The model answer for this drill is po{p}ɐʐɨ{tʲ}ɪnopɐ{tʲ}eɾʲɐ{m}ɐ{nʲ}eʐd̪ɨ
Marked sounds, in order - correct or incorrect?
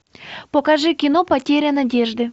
incorrect: k, incorrect: kʲ, correct, incorrect: n, incorrect: dʲ

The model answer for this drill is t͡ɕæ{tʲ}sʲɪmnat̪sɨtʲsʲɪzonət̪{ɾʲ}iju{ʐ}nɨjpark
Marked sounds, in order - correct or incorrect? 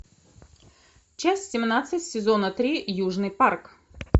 incorrect: sʲ, correct, correct

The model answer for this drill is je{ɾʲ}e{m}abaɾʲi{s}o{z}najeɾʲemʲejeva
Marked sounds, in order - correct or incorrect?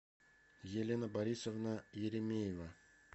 incorrect: lʲ, incorrect: n, correct, incorrect: v

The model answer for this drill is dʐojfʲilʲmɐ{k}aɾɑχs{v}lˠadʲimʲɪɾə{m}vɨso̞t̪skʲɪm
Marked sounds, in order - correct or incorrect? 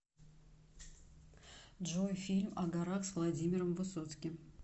incorrect: ɡ, correct, correct

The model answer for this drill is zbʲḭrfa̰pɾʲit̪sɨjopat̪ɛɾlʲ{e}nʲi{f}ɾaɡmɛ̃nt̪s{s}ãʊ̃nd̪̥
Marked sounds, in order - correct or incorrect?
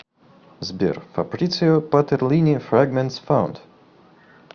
incorrect: i, correct, incorrect: f

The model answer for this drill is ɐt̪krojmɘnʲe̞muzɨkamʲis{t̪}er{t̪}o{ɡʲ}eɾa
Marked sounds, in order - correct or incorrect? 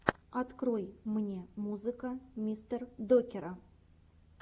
correct, incorrect: d̪, incorrect: kʲ

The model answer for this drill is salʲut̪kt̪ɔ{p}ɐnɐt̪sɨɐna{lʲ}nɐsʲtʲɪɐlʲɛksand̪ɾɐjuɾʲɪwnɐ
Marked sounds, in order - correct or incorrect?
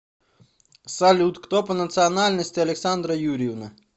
correct, correct

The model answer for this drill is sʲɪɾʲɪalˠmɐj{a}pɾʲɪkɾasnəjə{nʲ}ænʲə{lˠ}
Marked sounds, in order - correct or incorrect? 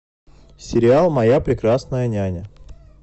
correct, correct, incorrect: none

